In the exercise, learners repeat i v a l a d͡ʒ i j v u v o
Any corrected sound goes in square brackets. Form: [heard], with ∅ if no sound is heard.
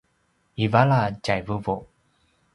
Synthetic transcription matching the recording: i v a l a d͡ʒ [a] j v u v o